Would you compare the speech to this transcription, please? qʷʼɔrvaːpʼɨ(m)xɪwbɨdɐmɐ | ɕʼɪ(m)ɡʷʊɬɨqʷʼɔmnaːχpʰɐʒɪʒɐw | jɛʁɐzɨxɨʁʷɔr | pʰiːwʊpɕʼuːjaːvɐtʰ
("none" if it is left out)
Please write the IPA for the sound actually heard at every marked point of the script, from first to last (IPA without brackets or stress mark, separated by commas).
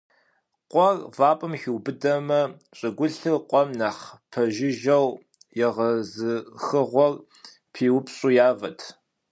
m, none